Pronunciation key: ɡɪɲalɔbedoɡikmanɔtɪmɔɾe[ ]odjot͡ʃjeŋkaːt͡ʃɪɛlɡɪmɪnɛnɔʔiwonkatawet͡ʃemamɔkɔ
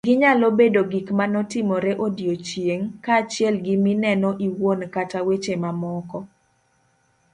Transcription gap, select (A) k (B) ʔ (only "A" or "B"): B